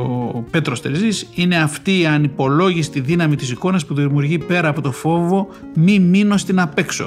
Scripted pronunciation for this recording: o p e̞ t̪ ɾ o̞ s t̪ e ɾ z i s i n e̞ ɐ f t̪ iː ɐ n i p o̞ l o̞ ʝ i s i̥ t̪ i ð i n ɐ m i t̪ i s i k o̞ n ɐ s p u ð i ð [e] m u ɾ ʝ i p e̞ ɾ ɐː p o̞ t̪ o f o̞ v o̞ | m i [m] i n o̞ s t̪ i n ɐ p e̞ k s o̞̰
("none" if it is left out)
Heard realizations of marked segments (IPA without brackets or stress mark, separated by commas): i, m